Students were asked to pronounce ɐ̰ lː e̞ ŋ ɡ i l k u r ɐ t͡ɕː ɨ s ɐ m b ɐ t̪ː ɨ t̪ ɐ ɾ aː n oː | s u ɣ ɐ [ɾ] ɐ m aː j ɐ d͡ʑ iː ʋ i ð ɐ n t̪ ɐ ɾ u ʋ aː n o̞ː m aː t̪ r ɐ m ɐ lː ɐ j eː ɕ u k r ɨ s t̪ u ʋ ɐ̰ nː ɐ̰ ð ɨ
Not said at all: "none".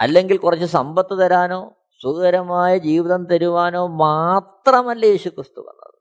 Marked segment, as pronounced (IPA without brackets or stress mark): ɾ